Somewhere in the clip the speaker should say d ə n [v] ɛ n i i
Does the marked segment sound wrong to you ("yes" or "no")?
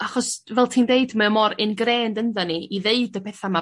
yes